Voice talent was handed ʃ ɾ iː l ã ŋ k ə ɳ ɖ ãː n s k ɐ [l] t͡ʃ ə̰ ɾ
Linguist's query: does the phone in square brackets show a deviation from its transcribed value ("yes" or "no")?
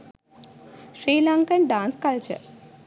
no